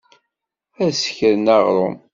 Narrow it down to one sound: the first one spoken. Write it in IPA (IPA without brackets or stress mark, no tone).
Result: æ